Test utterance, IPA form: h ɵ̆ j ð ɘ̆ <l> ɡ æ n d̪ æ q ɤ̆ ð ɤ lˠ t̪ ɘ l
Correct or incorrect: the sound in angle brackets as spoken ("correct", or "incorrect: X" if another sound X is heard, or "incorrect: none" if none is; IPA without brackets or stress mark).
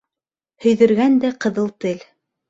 incorrect: ɾ